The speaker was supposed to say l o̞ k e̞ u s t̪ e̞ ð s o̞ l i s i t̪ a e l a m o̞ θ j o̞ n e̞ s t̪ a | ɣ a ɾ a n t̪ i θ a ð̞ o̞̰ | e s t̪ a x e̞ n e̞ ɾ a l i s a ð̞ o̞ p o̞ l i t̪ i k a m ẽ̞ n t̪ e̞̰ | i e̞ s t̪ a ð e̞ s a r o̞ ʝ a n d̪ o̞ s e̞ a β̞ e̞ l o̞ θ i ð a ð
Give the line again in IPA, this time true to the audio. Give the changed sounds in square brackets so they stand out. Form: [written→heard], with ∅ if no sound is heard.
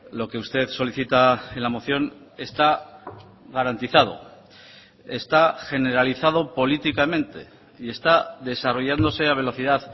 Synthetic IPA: l o̞ k e̞ u s t̪ e̞ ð s o̞ l i [s→θ] i t̪ a e l a m o̞ θ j o̞ n e̞ s t̪ a | ɣ a ɾ a n t̪ i θ a ð̞ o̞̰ | e s t̪ a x e̞ n e̞ ɾ a l i [s→θ] a ð̞ o̞ p o̞ l i t̪ i k a m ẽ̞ n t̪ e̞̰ | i e̞ s t̪ a ð e̞ s a r o̞ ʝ a n d̪ o̞ s e̞ a β̞ e̞ l o̞ θ i ð a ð